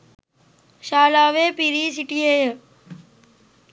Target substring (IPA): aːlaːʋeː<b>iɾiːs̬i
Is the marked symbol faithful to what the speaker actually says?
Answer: no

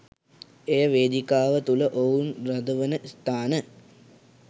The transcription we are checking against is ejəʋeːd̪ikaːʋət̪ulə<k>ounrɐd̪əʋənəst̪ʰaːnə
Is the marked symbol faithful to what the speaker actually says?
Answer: no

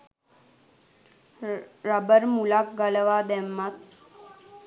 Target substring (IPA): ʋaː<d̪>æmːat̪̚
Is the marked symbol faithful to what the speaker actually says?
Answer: yes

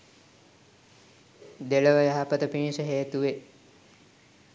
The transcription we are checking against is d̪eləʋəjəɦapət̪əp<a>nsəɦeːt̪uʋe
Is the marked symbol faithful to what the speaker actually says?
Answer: no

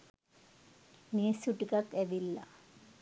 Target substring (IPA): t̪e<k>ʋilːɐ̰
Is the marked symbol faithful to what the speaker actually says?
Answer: no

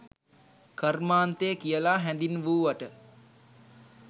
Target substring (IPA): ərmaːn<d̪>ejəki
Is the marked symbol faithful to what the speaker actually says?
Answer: no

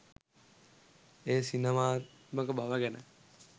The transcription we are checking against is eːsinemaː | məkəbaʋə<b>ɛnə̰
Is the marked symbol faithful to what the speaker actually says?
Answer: no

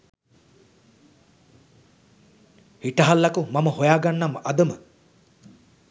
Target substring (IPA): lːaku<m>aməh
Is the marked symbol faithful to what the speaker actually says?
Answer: yes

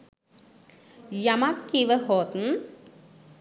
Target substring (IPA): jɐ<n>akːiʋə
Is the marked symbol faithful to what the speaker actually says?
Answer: no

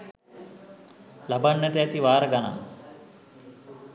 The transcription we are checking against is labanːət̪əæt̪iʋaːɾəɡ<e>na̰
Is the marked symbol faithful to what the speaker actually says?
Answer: no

